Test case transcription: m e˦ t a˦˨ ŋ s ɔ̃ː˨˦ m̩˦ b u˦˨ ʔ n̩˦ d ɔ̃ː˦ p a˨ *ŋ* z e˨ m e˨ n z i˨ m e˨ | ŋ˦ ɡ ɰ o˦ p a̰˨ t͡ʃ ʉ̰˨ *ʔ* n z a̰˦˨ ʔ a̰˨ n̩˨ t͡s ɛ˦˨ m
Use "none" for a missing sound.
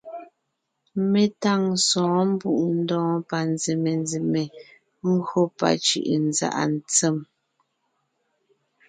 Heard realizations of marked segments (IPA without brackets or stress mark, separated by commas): n, ʔ